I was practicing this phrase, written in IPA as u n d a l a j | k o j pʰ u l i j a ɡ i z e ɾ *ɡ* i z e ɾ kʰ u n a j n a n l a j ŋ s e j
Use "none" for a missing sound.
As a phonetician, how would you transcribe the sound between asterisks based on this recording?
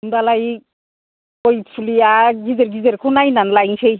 ɡ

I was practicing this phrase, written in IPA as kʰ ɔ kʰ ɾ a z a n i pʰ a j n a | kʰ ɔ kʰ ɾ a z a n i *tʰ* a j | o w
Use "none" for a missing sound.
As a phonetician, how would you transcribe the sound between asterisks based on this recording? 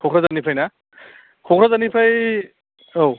pʰ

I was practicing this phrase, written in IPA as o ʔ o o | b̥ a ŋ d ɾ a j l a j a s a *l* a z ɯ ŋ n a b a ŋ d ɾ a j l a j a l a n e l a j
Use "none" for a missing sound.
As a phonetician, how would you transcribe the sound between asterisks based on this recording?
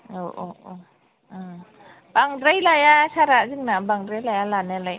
ɾ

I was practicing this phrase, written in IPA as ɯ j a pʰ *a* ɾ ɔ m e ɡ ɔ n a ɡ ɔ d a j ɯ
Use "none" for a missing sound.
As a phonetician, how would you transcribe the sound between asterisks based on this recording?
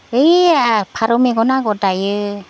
a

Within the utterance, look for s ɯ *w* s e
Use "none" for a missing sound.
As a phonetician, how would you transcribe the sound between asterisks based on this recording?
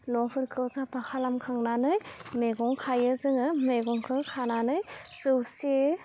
w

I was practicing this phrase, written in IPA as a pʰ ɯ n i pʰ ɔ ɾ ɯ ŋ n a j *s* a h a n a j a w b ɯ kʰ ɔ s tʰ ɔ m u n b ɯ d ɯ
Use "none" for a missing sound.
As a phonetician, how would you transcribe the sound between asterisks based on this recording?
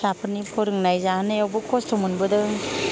z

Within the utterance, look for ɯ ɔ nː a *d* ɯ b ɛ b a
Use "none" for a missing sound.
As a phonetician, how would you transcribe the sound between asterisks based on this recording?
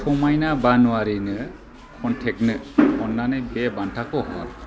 n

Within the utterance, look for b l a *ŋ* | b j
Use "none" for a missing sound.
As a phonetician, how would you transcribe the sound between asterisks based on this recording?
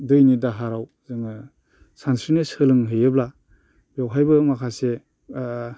none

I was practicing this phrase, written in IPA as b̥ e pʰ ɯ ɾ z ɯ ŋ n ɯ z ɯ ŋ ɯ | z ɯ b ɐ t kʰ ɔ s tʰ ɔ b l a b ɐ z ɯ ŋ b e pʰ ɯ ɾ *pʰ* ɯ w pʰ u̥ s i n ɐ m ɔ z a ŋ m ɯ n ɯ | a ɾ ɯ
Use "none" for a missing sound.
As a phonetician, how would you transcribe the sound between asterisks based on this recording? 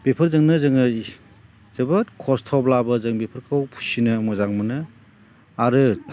kʰ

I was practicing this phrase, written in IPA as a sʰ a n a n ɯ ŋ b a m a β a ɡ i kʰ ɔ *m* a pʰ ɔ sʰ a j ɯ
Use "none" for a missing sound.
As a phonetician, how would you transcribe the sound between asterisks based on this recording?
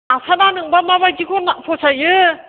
n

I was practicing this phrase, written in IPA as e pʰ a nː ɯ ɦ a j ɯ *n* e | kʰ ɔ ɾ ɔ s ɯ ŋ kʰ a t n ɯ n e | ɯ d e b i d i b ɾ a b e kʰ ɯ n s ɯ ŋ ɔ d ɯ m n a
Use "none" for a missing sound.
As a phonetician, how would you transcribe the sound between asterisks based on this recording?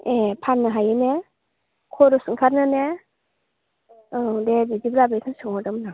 n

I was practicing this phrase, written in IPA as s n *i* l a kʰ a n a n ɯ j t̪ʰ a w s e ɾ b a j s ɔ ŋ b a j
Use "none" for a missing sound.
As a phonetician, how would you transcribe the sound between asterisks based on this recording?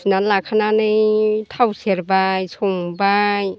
a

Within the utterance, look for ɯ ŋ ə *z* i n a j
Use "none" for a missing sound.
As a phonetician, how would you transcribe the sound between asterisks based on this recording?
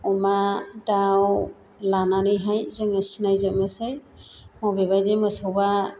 s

